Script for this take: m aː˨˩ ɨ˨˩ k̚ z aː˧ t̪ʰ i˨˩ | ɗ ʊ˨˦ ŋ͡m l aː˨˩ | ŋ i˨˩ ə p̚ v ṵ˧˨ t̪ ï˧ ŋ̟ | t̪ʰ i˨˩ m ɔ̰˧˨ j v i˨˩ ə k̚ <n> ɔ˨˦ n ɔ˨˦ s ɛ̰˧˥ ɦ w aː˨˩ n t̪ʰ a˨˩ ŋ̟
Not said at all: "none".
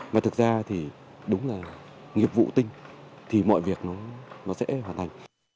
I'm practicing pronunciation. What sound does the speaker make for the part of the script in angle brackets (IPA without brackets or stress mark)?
n